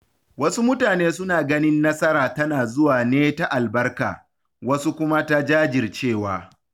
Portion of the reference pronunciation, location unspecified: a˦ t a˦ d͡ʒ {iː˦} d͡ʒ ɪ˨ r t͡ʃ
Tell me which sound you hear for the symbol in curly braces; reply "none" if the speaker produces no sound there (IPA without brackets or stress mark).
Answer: aː˦